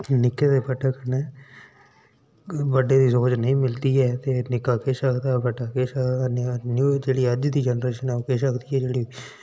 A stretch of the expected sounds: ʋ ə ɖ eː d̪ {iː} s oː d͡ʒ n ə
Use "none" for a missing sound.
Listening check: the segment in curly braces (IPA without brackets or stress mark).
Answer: iː